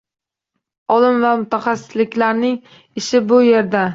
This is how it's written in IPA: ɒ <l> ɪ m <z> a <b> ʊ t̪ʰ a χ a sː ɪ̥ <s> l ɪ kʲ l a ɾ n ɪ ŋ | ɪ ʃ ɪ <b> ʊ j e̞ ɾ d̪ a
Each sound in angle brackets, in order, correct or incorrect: correct, incorrect: v, incorrect: m, correct, correct

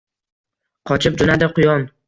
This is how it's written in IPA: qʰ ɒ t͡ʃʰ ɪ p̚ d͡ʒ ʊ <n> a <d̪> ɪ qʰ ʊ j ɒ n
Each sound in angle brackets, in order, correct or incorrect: correct, correct

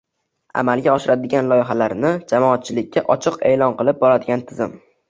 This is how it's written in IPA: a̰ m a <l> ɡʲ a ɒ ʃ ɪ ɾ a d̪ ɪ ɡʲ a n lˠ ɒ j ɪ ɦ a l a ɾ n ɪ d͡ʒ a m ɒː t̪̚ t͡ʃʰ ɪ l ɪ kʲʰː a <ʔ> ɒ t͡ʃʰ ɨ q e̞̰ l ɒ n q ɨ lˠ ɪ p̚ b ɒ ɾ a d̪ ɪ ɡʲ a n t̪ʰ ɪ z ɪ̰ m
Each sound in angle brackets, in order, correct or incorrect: correct, correct

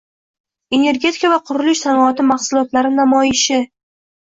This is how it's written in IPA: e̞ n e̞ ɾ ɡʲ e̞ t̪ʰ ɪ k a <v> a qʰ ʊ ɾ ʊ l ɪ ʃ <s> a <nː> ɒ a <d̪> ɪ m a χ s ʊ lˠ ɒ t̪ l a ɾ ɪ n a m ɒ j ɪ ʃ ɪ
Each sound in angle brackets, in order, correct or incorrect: correct, correct, incorrect: n, incorrect: t̪

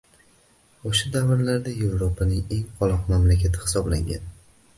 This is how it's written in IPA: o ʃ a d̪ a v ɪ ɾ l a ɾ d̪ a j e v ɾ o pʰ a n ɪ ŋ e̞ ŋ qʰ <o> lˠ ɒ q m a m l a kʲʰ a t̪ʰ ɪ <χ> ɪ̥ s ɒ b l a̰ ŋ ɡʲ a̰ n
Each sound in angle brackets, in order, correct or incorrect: incorrect: ɒ, incorrect: h

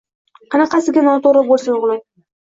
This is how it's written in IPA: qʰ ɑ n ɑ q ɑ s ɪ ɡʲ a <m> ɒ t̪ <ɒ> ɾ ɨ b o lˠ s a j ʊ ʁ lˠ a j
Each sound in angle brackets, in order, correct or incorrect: incorrect: n, incorrect: o

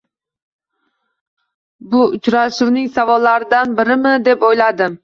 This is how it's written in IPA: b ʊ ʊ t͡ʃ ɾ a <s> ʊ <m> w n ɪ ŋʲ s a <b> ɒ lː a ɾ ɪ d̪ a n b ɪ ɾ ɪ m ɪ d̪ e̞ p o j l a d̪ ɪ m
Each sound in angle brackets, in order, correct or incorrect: incorrect: ʃ, incorrect: none, incorrect: v

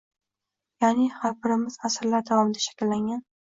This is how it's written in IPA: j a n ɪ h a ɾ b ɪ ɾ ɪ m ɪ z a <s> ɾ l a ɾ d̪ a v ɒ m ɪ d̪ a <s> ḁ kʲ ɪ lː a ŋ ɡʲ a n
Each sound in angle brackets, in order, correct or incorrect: correct, incorrect: ʃ

